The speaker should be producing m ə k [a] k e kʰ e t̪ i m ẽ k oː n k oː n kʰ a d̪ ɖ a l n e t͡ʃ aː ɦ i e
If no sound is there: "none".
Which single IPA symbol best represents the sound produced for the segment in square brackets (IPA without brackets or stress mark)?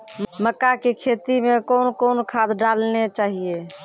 a